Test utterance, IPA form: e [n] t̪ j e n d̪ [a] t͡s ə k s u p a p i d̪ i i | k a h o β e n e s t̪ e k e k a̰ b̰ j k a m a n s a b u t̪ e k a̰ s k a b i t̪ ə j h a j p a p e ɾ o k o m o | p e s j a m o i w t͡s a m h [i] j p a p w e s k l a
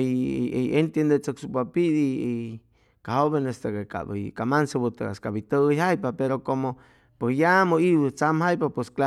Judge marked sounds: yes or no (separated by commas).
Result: yes, no, no